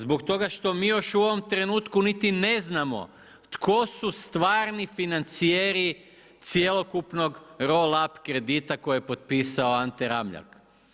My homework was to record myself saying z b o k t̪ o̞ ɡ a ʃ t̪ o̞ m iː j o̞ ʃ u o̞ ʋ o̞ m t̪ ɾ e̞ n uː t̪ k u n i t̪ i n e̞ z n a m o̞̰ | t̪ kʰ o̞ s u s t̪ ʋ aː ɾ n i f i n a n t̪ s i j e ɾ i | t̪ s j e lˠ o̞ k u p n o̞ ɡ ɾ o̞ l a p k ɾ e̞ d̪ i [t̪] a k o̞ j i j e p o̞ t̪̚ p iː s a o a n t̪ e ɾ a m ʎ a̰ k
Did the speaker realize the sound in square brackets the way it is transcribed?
yes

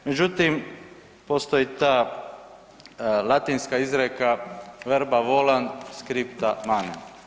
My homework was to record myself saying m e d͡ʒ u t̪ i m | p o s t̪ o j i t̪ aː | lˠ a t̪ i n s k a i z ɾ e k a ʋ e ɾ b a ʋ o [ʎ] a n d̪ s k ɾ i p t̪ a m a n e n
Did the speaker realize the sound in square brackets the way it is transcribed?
no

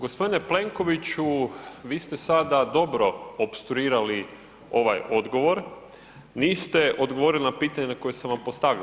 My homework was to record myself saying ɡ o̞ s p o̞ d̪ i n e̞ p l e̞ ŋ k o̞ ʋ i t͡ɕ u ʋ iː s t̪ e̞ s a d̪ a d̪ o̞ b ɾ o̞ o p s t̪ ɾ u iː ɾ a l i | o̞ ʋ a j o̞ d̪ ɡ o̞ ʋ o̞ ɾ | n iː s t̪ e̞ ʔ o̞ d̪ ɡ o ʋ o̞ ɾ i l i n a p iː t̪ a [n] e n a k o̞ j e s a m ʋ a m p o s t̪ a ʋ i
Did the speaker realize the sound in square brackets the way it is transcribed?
no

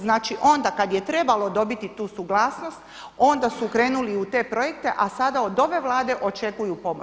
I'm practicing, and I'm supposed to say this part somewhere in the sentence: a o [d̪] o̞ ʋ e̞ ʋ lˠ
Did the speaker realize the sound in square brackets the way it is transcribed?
yes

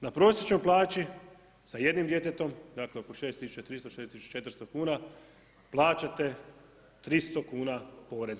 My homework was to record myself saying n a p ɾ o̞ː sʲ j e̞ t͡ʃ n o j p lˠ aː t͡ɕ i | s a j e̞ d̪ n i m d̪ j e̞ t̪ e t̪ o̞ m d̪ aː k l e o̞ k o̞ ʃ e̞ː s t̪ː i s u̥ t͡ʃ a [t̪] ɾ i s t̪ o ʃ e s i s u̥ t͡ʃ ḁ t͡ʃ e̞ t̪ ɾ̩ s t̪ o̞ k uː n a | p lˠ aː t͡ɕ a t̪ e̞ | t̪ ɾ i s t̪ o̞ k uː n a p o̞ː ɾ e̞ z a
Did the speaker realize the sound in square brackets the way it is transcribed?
yes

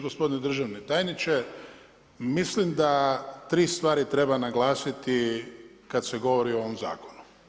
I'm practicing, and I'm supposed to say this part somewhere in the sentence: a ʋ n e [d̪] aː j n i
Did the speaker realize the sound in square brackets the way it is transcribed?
no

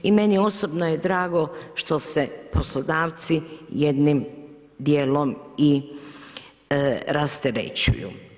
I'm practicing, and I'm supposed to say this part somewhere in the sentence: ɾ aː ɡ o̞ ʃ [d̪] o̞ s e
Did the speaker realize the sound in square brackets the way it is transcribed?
no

